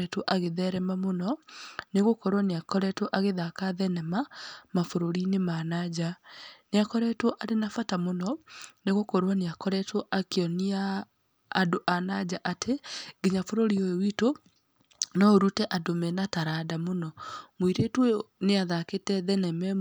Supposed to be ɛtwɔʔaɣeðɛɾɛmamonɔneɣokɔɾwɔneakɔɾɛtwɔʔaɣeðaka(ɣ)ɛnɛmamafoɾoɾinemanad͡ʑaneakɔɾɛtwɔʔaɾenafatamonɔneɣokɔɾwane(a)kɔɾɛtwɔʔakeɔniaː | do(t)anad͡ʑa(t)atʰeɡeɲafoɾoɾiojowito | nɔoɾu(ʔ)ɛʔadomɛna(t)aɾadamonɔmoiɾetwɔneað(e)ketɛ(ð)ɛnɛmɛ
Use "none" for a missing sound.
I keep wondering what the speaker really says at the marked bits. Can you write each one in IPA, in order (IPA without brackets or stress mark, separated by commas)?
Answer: ð, a, ʔ, ʔ, t, t, a, ð